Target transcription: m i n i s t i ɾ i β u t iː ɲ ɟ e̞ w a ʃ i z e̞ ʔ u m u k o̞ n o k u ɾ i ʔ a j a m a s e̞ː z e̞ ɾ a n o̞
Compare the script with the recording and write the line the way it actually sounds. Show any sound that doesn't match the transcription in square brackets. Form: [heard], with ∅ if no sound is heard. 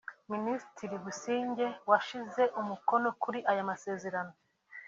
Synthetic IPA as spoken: m i n i s t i ɾ i β u [s] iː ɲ ɟ e̞ w a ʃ i z e̞ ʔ u m u k o̞ n o k u ɾ i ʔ a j a m a s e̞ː z e̞ ɾ a n o̞